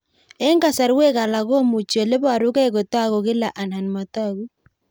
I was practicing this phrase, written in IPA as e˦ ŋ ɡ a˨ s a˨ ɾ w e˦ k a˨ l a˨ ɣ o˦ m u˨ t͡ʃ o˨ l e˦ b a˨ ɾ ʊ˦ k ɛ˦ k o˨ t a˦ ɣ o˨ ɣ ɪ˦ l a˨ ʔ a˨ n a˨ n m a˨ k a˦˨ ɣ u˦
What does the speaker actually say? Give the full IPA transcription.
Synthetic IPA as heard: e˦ ŋ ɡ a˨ s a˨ ɾ w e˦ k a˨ l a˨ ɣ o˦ m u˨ t͡ʃ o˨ l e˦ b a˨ ɾ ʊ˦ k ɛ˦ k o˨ t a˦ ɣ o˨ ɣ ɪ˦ l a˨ ʔ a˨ n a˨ n m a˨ t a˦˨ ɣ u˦